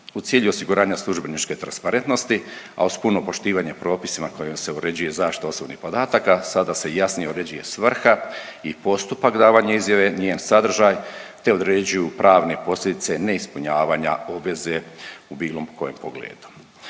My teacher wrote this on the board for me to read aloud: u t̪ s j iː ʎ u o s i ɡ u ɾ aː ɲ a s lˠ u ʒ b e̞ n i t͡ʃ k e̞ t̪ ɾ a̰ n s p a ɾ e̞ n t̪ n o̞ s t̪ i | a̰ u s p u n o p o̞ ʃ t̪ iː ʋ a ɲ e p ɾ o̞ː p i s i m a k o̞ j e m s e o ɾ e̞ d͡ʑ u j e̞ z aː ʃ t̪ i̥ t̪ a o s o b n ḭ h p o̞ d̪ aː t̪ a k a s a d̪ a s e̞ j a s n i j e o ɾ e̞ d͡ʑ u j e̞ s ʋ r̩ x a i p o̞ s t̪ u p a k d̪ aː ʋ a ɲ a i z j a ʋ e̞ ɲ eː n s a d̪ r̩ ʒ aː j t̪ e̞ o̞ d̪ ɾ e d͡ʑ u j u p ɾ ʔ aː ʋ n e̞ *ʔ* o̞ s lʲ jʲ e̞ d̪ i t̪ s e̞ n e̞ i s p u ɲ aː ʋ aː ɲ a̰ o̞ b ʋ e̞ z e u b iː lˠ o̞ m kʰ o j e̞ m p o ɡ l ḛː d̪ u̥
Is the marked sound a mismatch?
yes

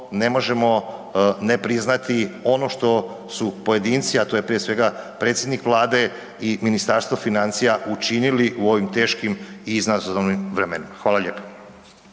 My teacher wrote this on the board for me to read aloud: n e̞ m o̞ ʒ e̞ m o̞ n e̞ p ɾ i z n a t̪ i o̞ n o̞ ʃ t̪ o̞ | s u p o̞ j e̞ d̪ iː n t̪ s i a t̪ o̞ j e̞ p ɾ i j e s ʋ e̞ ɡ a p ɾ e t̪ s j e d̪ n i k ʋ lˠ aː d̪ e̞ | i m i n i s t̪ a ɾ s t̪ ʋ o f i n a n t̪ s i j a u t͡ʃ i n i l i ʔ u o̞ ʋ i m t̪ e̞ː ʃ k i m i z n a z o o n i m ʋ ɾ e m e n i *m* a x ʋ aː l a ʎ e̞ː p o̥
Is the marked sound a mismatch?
no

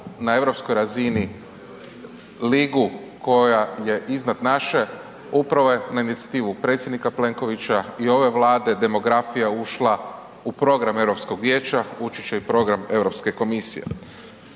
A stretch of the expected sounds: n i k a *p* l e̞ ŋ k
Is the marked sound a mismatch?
no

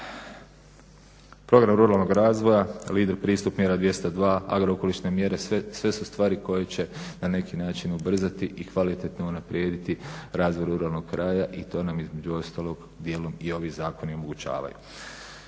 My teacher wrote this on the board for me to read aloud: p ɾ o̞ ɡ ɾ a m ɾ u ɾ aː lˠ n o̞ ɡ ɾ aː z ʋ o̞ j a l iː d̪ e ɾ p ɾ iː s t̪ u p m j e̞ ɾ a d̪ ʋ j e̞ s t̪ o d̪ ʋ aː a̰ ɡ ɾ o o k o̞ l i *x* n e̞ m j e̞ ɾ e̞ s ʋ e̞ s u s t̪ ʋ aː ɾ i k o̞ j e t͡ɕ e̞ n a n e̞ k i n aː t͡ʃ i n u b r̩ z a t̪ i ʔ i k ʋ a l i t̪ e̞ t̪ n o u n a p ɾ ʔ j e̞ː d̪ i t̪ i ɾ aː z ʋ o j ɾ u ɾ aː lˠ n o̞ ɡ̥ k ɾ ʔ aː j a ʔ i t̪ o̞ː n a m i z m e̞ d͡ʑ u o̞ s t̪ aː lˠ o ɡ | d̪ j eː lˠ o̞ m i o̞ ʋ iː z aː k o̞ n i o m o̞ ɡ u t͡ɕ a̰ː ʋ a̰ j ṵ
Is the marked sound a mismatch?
yes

